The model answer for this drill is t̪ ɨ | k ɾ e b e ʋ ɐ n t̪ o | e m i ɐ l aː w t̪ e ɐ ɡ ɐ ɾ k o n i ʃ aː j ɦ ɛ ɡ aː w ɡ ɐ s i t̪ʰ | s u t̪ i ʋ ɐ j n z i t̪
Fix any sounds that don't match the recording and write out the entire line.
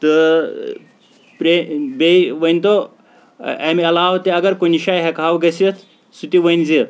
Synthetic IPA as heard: t̪ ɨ | p ɾ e b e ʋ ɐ n t̪ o | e m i ɐ l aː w t̪ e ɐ ɡ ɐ ɾ k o n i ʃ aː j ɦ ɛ k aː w ɡ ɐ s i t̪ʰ | s u t̪ i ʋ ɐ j n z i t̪